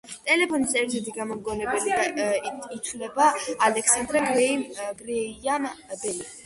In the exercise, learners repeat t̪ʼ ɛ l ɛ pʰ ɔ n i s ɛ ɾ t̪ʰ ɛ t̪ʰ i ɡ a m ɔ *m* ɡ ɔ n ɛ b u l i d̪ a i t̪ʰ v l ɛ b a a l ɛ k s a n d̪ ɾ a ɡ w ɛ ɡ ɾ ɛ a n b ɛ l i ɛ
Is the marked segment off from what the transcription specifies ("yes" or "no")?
no